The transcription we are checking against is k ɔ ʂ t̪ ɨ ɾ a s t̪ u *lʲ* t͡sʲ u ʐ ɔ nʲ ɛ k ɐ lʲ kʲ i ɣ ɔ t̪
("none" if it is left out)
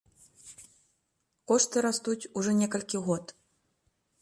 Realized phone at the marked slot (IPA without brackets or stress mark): none